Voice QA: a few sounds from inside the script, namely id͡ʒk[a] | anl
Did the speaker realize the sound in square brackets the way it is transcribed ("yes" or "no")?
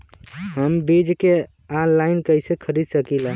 no